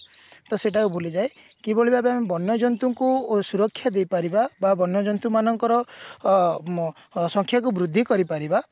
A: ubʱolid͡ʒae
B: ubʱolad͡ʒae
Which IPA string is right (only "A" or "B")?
A